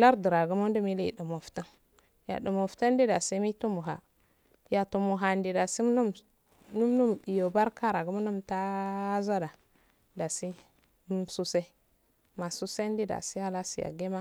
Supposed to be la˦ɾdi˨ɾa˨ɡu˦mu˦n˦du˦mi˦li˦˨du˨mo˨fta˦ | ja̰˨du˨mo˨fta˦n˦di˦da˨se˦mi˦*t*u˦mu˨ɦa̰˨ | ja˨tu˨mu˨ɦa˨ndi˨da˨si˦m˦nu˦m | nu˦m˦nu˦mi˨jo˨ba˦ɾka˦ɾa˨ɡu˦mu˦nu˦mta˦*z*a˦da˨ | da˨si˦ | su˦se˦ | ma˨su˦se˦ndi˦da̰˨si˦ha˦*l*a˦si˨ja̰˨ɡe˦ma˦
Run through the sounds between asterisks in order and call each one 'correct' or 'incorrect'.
correct, correct, correct

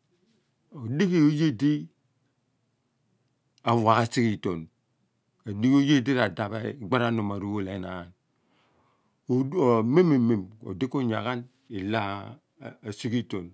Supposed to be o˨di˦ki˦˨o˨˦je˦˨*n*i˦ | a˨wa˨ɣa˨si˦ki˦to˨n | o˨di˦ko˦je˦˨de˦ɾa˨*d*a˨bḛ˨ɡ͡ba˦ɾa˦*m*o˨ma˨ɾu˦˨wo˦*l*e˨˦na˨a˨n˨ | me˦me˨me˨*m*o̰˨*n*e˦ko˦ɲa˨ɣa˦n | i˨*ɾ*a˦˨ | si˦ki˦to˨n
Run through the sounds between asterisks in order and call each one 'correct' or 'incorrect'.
incorrect: d, correct, incorrect: n, correct, correct, incorrect: d, incorrect: l

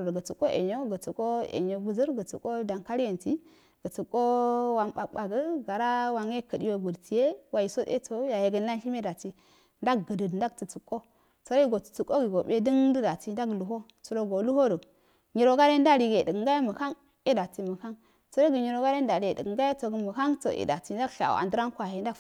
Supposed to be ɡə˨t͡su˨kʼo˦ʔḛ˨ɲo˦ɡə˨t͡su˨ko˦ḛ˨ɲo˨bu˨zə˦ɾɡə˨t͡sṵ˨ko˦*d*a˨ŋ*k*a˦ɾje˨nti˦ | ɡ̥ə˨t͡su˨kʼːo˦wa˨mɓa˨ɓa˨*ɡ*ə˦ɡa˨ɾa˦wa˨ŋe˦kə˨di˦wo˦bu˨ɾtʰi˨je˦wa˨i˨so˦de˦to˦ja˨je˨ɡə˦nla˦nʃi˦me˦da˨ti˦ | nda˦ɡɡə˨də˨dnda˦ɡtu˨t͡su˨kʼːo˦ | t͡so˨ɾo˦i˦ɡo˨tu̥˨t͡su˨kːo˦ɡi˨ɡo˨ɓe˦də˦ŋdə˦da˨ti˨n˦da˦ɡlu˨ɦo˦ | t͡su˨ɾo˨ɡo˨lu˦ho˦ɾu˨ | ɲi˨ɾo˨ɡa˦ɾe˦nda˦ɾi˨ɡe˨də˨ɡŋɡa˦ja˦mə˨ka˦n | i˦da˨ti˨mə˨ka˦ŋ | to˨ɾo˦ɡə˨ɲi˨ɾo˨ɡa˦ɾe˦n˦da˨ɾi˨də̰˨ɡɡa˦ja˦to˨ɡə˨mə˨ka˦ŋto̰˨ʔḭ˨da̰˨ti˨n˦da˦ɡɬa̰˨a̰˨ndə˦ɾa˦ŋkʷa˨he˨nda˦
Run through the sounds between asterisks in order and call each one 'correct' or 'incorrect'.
correct, correct, correct

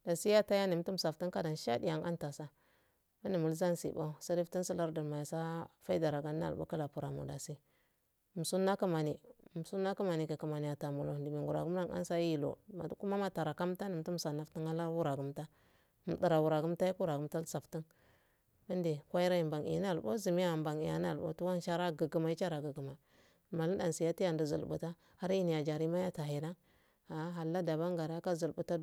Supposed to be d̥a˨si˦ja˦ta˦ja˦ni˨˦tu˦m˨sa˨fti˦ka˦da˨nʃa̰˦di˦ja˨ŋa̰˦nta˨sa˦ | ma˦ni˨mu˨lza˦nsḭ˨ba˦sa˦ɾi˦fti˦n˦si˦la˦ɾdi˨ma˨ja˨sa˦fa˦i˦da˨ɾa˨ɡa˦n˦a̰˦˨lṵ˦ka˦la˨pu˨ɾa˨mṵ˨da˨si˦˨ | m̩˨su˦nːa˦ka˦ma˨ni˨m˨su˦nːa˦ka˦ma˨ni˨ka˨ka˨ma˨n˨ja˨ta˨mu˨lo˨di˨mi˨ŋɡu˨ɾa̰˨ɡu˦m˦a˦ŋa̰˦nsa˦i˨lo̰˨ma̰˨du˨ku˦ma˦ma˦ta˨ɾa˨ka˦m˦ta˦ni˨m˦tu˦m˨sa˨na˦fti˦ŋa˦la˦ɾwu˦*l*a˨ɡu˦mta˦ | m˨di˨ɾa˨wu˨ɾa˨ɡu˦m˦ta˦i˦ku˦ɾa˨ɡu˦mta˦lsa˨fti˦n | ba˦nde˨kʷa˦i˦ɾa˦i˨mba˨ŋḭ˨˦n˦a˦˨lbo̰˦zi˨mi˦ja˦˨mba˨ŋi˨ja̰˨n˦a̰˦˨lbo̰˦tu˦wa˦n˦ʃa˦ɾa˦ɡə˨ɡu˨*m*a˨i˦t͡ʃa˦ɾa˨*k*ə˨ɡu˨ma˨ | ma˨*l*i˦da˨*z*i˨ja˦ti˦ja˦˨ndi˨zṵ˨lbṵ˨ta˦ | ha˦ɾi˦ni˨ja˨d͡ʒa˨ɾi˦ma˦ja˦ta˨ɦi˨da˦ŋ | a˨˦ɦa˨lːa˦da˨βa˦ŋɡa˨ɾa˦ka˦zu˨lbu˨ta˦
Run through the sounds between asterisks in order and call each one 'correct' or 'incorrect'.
incorrect: ɾ, correct, incorrect: ɡ, correct, incorrect: s

